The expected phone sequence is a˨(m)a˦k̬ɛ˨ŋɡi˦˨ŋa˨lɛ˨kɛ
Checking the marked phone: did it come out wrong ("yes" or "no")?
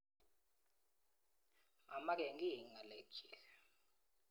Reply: no